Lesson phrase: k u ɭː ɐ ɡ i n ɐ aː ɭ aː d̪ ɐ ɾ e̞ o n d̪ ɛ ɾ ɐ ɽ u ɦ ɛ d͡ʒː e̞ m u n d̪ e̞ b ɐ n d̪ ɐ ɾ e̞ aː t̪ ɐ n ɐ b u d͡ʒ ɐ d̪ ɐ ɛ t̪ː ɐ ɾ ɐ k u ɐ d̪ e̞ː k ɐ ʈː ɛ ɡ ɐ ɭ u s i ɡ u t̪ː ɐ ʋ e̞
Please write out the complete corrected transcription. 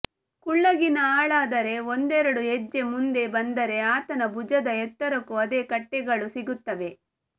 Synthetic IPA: k u ɭː ɐ ɡ i n ɐ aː ɭ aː d̪ ɐ ɾ e̞ o n d̪ ɛ ɾ ɐ ɽ u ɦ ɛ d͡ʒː e̞ m u n d̪ e̞ b ɐ n d̪ ɐ ɾ e̞ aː t̪ ɐ n ɐ b u d͡ʒ ɐ d̪ ɐ ɛ t̪ː ɐ ɾ ɐ k u ɐ d̪ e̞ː k ɐ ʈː ɛ ɡ ɐ ɭ u s i ɡ u t̪ː ɐ ʋ e̞